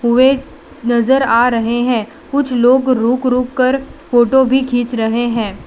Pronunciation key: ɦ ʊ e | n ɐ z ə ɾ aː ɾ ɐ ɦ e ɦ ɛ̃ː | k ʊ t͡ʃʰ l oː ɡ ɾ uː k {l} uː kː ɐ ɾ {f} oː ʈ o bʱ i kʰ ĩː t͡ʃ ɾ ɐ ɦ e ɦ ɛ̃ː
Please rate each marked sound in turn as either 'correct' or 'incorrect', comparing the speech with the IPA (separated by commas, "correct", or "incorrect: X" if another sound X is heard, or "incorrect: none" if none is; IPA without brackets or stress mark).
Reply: incorrect: ɾ, correct